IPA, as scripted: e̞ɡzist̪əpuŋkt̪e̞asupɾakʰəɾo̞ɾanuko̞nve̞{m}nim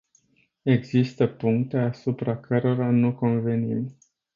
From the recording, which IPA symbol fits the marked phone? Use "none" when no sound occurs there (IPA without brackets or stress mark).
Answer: none